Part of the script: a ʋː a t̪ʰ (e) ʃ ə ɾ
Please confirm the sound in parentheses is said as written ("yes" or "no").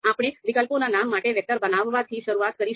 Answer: no